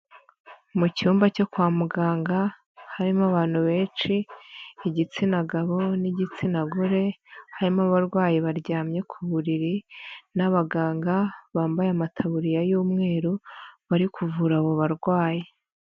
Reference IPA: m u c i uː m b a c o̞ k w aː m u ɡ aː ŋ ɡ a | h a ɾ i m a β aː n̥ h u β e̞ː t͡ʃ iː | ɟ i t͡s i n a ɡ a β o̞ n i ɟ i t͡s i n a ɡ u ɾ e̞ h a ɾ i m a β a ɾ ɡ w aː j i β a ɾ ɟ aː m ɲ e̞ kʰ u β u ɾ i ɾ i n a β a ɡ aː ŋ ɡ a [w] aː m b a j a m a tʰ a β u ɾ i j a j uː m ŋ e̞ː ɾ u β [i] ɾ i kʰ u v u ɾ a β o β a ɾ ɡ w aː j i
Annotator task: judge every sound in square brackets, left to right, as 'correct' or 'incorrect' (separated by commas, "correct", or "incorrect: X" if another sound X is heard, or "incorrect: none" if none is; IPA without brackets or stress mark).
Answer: incorrect: β, incorrect: a